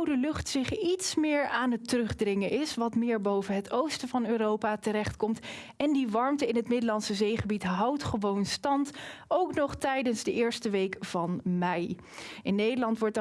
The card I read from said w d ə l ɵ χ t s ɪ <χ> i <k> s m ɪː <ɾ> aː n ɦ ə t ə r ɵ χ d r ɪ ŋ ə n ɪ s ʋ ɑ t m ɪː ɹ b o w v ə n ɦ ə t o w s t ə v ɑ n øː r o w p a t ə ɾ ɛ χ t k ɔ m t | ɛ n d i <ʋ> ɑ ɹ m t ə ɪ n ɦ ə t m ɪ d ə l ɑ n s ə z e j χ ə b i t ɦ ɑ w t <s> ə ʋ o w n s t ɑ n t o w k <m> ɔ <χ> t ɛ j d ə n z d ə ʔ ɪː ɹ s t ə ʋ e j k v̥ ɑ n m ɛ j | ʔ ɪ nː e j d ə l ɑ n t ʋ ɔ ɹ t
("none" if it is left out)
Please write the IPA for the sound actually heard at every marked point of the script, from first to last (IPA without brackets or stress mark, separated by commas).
χ, t, ɹ, ʋ, χ, n, χ